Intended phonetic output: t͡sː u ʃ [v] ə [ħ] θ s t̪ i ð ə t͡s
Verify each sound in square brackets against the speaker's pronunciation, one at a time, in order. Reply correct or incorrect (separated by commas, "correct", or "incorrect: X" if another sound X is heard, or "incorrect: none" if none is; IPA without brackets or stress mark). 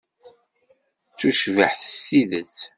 correct, correct